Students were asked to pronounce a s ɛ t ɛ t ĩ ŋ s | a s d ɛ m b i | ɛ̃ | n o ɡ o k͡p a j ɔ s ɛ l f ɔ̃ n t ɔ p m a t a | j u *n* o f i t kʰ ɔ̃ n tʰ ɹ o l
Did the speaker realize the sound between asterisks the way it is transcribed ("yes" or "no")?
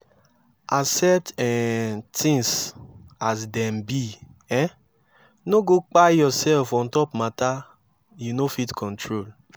yes